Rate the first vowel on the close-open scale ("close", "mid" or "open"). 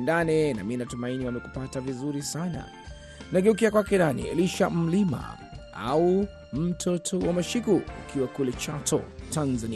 open